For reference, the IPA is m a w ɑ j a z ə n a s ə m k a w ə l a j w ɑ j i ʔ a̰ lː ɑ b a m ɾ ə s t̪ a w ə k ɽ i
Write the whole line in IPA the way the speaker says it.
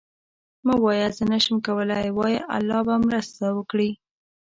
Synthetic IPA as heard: m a w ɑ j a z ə n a ʃ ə m k a w ə l a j w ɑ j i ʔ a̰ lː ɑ b a m ɾ ə s t̪ a w ə k ɽ i

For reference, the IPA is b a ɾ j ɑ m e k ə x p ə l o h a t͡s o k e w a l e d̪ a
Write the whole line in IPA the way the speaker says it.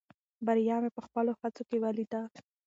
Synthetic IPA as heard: b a ɾ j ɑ m e p ə x p ə l o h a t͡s o k e w a l i d̪ a

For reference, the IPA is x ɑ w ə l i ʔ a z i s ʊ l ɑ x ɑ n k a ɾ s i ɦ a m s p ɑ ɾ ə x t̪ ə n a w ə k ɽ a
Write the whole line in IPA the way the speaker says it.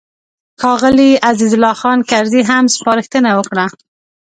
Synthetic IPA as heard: x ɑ ɣ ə l i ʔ a z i z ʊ l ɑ x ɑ n k a ɾ z i ɦ a m s p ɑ ɾ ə x t̪ ə n a w ə k ɽ a

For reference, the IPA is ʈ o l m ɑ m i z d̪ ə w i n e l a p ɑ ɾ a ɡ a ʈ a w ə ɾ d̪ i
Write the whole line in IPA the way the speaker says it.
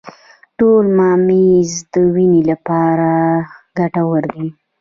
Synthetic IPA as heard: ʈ o l m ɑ m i z d̪ ə w i n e l a p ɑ ɾ a ɡ a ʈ a w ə ɾ d̪ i

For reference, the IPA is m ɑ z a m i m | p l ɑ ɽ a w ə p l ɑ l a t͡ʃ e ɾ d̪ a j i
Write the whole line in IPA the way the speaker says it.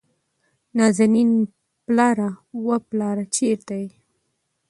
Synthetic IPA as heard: n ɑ z a n i n | p l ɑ ɾ a w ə p l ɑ ɾ a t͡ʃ e ɾ t̪ a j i

